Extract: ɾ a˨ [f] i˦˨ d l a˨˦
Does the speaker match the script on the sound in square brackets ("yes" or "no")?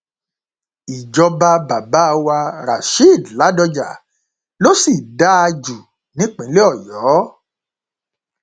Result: no